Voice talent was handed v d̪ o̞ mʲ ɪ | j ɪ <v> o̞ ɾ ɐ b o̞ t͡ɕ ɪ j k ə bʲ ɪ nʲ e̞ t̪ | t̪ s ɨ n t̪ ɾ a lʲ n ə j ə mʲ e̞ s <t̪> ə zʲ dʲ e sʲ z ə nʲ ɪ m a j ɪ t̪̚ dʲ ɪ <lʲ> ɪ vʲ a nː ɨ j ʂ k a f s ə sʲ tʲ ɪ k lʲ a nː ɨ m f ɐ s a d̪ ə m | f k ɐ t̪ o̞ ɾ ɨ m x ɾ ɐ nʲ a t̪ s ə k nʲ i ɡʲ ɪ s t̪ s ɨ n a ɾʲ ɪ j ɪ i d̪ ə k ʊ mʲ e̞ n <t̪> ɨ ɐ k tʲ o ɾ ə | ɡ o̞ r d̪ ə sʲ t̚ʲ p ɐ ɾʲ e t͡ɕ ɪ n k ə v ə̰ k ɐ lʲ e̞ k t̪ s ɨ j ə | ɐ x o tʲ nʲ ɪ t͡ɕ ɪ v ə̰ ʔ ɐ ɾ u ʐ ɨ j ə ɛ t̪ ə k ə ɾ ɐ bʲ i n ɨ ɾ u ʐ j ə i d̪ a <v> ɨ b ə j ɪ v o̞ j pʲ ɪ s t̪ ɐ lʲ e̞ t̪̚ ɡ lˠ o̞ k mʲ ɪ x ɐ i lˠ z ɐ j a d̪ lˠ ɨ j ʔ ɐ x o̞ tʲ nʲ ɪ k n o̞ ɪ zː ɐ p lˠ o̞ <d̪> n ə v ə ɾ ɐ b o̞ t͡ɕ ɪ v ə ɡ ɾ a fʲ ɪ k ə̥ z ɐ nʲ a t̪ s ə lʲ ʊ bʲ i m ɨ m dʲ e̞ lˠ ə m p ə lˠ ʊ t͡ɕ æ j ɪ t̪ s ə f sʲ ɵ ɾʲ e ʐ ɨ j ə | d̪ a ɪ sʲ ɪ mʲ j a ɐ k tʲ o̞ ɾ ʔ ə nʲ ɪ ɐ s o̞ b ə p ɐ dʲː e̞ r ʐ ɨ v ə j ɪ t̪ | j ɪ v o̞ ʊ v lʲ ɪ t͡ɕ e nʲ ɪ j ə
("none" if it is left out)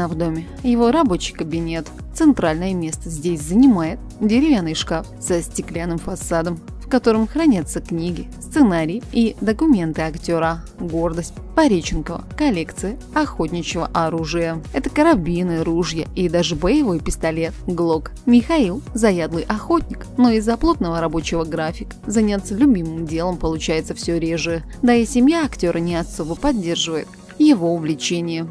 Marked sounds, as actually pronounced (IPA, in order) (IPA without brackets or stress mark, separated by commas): v, t̪, ɾʲ, t̪, ʐ, t̪